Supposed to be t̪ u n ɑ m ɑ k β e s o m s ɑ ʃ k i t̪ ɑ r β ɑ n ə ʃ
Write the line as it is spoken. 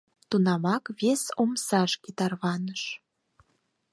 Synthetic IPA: t̪ u n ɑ m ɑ k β e s o m s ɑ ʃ k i t̪ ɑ r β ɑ n ə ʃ